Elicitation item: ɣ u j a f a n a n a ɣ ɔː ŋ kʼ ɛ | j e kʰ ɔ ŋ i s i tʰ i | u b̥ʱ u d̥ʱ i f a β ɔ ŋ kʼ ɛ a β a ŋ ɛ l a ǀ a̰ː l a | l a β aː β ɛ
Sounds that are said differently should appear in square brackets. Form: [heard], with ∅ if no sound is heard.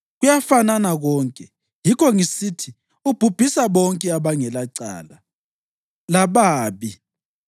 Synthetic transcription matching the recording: ɣ u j a f a n a n a ɣ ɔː ŋ kʼ ɛ | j [i] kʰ ɔ ŋ i s i tʰ i | u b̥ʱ u [b̥ʱ] i [s] a β ɔ ŋ kʼ ɛ a β a ŋ ɛ l a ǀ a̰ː l a | l a β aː β [i]